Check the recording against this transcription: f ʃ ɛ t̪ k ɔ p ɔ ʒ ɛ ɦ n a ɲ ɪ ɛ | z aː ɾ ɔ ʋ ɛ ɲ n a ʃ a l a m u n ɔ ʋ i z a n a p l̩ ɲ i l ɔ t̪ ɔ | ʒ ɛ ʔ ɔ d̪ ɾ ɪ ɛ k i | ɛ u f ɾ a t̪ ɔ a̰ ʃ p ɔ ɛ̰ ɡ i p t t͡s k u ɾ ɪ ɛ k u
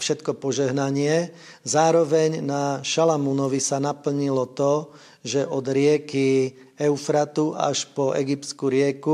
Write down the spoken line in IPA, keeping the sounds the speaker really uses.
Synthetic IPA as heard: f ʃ ɛ t̪ k ɔ p ɔ ʒ ɛ ɦ n a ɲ ɪ ɛ | z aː ɾ ɔ ʋ ɛ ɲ n a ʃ a l a m u n ɔ ʋ i s a n a p l̩ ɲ i l ɔ t̪ ɔ | ʒ ɛ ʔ ɔ d̪ ɾ ɪ ɛ k i | ɛ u f ɾ a t̪ u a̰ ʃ p ɔ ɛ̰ ɡ i p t t͡s k u ɾ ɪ ɛ k u